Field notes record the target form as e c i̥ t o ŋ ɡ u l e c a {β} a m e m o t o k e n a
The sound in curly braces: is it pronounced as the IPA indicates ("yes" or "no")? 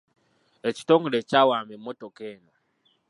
no